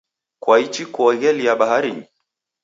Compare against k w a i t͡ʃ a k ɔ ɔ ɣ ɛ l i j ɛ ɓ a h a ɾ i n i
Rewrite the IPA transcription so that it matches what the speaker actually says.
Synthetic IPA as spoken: k w a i t͡ʃ i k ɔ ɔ ɣ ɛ l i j a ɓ a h a ɾ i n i